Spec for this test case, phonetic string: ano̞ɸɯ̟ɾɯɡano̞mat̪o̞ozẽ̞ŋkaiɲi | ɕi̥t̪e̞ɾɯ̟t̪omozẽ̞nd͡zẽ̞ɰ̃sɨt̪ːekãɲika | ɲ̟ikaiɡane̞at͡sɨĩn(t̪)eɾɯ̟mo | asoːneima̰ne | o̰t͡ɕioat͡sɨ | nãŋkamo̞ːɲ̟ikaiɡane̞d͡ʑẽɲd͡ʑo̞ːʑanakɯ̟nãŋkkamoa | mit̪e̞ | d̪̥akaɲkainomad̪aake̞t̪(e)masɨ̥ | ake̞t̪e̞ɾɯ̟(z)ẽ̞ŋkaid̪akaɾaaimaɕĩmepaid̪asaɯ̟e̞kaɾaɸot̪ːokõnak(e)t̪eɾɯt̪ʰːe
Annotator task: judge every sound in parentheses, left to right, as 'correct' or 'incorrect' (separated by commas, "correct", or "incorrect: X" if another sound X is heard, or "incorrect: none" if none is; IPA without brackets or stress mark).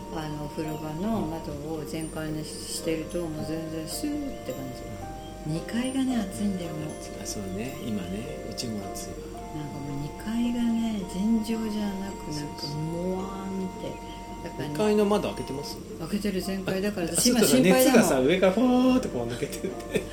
incorrect: d̪, correct, correct, correct